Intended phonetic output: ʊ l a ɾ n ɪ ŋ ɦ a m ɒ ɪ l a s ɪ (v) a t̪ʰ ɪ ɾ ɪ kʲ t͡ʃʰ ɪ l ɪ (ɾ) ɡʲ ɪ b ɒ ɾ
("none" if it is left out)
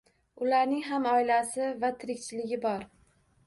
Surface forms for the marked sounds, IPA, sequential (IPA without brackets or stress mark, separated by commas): v, none